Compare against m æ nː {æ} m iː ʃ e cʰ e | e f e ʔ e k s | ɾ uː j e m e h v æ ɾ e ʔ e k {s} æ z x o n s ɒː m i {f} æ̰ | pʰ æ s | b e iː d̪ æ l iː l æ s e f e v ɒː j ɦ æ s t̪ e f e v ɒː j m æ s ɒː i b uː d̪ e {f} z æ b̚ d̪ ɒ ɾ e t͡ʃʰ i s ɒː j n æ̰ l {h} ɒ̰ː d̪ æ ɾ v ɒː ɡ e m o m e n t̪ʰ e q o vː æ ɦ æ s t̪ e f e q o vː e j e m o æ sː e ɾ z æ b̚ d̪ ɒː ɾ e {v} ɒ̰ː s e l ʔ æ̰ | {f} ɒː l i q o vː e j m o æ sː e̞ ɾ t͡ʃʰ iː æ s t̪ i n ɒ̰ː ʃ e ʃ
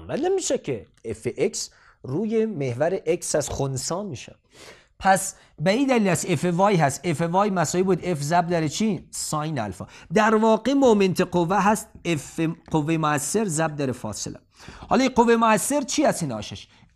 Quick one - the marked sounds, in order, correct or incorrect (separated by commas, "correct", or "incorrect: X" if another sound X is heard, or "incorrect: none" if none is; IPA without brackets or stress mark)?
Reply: incorrect: e, correct, incorrect: ʃ, correct, incorrect: f, incorrect: f, incorrect: h